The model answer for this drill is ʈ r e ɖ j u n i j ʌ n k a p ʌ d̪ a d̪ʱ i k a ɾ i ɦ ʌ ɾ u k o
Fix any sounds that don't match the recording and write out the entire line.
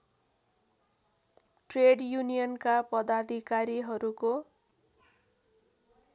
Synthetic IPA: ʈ r e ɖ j u n i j ʌ n k a p ʌ d̪ a d̪ʱ i k a ɾ i ɦ ʌ ɾ u k o